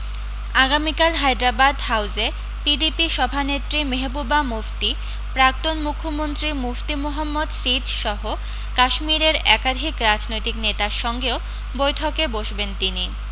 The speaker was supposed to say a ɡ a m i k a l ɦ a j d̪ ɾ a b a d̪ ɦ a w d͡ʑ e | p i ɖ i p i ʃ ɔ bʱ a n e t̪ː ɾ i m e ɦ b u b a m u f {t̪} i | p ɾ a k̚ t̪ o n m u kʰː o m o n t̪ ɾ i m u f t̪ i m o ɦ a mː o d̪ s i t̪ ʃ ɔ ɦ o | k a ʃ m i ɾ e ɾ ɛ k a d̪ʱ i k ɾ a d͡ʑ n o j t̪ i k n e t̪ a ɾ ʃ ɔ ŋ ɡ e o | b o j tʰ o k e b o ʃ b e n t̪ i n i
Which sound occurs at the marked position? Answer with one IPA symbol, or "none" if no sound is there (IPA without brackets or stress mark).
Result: t̪